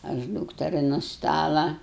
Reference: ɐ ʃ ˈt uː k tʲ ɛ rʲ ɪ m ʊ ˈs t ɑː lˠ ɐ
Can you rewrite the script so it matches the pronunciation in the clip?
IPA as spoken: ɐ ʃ ˈd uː k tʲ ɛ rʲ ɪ n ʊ ˈs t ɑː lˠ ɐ